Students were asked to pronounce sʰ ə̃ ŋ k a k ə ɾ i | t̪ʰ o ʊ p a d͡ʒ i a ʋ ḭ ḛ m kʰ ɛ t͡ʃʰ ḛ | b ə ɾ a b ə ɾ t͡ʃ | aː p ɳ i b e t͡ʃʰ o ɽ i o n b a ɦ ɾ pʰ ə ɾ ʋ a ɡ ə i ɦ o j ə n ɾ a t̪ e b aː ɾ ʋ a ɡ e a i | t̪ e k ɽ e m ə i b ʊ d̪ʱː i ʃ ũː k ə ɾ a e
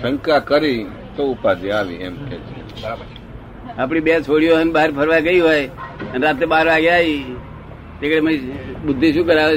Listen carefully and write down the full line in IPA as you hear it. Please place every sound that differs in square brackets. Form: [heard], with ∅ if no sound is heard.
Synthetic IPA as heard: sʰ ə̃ ŋ k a k ə ɾ i | [t̪] o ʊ p a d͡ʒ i a ʋ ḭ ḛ m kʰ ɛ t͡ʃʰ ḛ | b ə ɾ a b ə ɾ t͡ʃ | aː p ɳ i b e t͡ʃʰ o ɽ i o n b a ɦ ɾ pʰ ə ɾ ʋ a ɡ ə i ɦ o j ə n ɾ a t̪ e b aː ɾ ʋ a ɡ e a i | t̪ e k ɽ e m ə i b ʊ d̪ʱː i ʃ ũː k ə ɾ a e